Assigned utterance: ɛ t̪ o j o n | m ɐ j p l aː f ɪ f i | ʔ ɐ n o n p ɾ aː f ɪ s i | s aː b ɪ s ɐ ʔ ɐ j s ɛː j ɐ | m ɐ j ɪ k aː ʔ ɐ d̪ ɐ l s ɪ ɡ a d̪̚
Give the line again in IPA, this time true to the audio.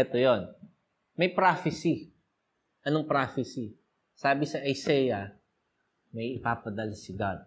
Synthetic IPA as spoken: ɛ t̪ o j o n | m ɐ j p ɾ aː f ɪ s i | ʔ ɐ n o ŋ p ɾ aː f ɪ s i | s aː b ɪ s ɐ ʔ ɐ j s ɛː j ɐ | m ɐ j ɪ p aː p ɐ d̪ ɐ l s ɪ ɡ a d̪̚